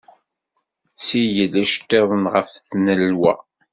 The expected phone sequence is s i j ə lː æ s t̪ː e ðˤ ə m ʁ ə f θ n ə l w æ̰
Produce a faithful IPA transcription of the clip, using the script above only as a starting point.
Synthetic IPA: s i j ə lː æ ʃ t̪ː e ðˤ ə n ʁ ə f θ n ə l w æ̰